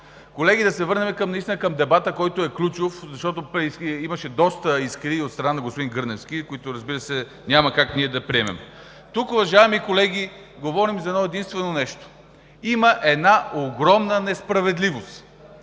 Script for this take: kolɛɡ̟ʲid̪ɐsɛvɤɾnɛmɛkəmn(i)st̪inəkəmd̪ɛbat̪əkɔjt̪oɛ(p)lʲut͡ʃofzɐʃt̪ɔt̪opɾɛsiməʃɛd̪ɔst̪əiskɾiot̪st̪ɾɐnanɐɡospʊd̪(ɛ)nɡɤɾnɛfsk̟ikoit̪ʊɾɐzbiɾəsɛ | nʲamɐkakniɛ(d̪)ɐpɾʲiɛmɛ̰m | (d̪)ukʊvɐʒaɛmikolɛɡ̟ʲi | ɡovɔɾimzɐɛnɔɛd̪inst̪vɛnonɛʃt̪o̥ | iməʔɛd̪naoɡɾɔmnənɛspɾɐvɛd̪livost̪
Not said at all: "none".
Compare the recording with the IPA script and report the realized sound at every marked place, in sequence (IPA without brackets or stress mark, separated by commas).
i, k, i, d̪, t̪